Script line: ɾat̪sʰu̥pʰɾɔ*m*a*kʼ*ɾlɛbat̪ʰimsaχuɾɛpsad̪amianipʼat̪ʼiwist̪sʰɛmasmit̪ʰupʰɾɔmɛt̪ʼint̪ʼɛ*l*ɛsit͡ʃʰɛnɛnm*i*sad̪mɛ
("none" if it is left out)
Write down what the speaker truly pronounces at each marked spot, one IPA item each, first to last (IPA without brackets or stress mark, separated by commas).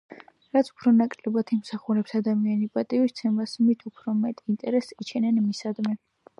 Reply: n, kʼ, ɾ, i